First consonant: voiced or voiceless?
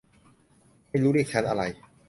voiced